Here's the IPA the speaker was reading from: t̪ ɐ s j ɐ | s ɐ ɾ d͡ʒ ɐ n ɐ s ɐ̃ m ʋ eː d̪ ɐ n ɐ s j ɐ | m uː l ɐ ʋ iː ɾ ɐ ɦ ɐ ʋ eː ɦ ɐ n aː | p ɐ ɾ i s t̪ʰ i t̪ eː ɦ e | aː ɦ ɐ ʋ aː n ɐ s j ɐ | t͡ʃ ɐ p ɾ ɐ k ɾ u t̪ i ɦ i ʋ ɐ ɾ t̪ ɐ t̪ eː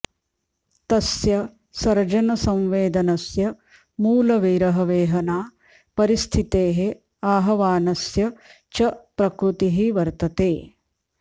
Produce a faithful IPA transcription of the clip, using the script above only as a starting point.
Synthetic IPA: t̪ ɐ s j ɐ | s ɐ ɾ d͡ʒ ɐ n ɐ s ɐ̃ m ʋ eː d̪ ɐ n ɐ s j ɐ | m uː l ɐ ʋ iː ɾ ɐ ɦ ɐ ʋ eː ɦ ɐ n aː | p ɐ ɾ i s t̪ʰ i t̪ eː ɦ e | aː ɦ ɐ ʋ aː n ɐ s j ɐ | t͡ʃ ɐ p ɾ ɐ k ɾ u t̪ i ɦ i ʋ ɐ ɾ t̪ ɐ t̪ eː